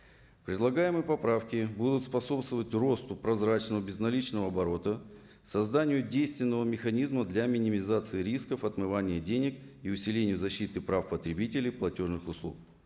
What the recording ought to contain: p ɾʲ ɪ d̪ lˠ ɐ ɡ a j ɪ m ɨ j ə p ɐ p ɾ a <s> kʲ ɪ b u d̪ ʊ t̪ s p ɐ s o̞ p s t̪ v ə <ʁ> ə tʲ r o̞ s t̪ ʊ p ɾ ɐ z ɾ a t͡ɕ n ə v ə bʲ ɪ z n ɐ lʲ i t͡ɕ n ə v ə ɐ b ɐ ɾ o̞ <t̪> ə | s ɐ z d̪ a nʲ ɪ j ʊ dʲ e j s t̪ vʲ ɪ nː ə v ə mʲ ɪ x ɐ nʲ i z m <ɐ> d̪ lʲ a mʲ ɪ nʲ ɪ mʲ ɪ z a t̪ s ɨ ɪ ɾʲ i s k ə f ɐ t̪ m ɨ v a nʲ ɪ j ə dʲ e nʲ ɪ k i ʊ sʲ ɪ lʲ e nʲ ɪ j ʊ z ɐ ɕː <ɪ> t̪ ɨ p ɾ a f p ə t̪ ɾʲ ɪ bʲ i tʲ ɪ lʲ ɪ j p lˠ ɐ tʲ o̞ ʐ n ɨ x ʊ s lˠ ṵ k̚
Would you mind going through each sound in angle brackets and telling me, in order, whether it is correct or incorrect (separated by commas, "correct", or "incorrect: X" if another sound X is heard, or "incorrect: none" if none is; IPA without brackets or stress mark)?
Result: incorrect: f, incorrect: v, correct, incorrect: ə, incorrect: i